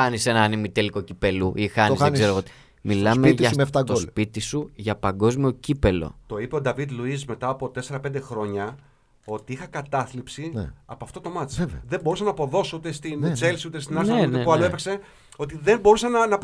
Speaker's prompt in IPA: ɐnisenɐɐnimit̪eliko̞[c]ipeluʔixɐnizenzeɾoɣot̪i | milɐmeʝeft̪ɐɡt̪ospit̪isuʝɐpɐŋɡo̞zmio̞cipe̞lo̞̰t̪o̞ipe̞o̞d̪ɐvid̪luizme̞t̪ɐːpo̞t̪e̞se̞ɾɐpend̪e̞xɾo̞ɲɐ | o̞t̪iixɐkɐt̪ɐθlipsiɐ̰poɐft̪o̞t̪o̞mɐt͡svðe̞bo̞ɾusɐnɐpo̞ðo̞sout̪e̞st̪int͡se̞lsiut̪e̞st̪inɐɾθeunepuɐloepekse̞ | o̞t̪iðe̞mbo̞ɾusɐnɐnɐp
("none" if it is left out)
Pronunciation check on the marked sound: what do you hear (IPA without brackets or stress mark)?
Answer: c